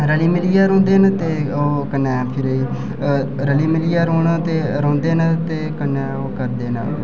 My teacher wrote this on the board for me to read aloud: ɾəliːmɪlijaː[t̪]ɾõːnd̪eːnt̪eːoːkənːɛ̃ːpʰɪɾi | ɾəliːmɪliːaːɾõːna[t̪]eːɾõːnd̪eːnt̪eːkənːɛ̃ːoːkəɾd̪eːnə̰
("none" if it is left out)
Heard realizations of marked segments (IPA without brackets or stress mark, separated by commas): none, t̪